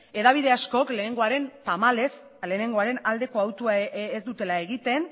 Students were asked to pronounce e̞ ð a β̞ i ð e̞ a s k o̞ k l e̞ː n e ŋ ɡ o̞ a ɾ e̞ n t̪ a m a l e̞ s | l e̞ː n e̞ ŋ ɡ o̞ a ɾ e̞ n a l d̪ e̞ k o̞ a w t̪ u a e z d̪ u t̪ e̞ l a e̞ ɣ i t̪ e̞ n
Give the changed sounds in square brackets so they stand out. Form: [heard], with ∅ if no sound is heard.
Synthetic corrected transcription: e̞ ð a β̞ i ð e̞ a s k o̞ k l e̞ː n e ŋ ɡ o̞ a ɾ e̞ n t̪ a m a l e̞ s | l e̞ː n e̞ ŋ ɡ o̞ a ɾ e̞ n a l d̪ e̞ k o̞ a w t̪ u a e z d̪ u t̪ e̞ l a e̞ ɣ i t̪ e̞ n